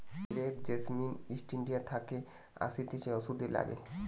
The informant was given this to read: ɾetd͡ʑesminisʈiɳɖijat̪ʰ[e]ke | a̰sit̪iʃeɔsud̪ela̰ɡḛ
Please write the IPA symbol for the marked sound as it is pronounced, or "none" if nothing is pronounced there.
a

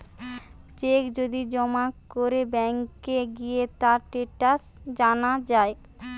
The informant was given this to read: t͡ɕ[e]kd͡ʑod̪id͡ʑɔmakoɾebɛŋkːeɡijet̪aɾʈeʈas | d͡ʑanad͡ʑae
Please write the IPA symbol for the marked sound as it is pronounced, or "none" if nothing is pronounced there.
e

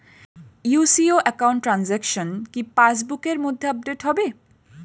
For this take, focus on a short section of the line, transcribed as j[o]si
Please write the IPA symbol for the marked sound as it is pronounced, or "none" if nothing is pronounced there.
u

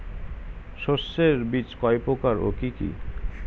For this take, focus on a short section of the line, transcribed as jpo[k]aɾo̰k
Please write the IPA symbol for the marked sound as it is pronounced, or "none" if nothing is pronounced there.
k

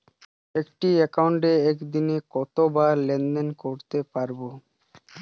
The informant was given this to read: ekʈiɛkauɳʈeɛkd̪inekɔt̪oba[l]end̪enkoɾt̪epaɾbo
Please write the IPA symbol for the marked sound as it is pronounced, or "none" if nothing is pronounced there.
l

